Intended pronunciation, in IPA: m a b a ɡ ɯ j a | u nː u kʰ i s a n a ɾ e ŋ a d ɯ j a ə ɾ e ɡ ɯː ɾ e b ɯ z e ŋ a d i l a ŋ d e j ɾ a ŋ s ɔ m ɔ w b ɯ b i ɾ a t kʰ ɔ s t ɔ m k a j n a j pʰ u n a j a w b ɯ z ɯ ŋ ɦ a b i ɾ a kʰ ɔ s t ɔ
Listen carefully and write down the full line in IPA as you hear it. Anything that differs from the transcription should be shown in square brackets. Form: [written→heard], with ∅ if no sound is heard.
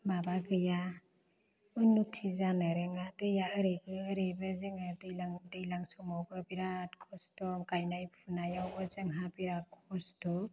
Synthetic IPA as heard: m a b a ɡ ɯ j a | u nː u [kʰ→tʰ] i [s→z] a n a ɾ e ŋ a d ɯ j a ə ɾ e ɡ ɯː ɾ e b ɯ z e ŋ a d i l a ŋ d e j [ɾ→l] a ŋ s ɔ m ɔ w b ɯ b i ɾ a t kʰ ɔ s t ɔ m k a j n a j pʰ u n a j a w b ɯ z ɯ ŋ ɦ a b i ɾ a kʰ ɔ s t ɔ